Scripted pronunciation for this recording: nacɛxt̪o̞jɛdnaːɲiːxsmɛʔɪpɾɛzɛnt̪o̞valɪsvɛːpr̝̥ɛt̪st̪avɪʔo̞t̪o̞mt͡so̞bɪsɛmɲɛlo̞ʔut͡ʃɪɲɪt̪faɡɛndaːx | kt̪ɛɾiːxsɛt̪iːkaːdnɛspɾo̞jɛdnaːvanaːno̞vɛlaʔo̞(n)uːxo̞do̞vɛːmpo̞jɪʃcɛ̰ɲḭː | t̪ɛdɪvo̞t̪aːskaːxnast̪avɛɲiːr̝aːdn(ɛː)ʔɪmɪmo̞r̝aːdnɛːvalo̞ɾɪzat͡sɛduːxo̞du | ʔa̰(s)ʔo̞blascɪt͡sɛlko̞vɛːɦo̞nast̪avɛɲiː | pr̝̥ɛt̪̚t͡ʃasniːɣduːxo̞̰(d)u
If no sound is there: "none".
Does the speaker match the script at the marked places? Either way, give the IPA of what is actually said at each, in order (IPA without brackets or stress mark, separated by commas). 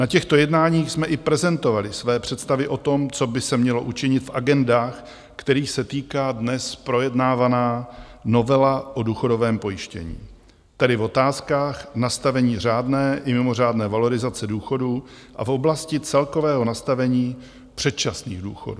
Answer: d, ɛː, f, d